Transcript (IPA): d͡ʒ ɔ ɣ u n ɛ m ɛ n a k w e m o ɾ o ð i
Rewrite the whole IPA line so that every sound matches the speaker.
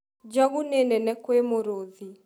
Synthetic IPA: d͡ʒ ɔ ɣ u n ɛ n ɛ n ɛ k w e m o ɾ o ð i